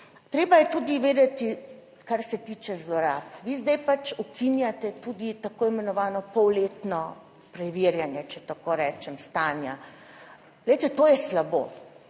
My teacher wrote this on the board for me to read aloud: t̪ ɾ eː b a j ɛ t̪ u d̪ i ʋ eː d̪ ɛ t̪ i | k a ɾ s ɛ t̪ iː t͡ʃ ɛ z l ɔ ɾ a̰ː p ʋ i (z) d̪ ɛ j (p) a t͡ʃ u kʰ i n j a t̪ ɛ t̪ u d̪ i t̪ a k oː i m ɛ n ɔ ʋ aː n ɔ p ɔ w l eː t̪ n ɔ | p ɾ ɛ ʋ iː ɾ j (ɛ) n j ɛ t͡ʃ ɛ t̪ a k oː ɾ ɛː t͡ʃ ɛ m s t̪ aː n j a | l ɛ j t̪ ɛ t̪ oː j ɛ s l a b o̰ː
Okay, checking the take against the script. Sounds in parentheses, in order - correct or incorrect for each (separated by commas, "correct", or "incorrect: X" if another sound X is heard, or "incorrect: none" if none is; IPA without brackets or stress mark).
correct, correct, incorrect: a